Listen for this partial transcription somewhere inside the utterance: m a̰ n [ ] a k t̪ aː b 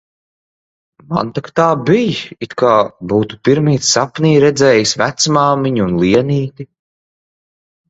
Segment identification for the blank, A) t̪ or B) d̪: A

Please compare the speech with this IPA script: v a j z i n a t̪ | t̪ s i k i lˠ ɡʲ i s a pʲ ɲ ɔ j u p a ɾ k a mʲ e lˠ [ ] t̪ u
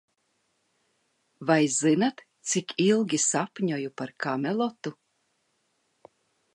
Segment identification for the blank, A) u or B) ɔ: B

